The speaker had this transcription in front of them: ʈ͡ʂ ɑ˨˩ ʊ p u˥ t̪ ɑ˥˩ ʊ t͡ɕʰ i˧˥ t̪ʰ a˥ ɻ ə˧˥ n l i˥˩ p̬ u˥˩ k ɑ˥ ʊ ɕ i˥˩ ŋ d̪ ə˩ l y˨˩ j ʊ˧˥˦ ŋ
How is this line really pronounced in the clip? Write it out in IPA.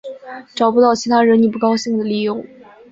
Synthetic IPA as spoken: ʈ͡ʂ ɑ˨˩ ʊ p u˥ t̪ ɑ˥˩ ʊ t͡ɕʰ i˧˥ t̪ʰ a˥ ɻ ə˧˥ n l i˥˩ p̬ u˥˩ k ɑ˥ ʊ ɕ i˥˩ ŋ d̪ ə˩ l i˨˩ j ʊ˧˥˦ ŋ